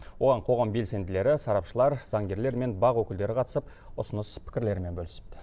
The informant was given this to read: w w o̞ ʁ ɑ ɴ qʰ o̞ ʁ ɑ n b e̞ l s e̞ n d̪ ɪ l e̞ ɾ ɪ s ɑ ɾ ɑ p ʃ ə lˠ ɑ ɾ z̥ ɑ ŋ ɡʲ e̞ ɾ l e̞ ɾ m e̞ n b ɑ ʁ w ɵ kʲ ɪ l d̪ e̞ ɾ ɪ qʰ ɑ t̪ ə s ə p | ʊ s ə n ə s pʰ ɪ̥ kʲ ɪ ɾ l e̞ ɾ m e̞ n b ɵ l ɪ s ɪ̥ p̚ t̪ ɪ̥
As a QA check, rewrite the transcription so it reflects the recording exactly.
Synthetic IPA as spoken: w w o̞ ʁ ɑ ɴ qʰ o̞ ʁ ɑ m b e̞ l s e̞ n d̪ ɪ l e̞ ɾ ɪ s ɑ ɾ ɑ p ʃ ə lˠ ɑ ɾ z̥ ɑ ŋ ɡʲ e̞ ɾ l e̞ ɾ m e̞ n b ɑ ʁ w ɵ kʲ ɪ l d̪ e̞ ɾ ɪ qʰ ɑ t̪ ə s ə p | ʊ s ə n ə s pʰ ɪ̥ kʲ ɪ ɾ l e̞ ɾ m e̞ n b ɵ l ɪ s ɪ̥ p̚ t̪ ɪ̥